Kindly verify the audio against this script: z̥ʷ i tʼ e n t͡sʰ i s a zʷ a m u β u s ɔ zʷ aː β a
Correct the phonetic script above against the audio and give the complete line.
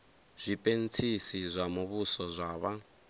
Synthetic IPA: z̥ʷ i pʼ e n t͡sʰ i s i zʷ a m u β u s ɔ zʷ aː β a